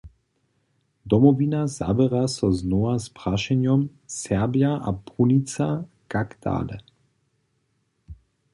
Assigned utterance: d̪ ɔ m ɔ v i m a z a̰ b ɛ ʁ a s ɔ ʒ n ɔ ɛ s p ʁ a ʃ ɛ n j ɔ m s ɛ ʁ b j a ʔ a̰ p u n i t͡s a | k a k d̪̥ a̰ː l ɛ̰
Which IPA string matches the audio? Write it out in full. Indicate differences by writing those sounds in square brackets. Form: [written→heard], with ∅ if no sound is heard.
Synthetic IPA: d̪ ɔ m ɔ v i [m→n] a z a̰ b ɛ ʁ a s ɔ [ʒ→z] n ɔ [ɛ→a] s p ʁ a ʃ ɛ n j ɔ m s ɛ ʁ b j a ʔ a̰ p u n i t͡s a | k a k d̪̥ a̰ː l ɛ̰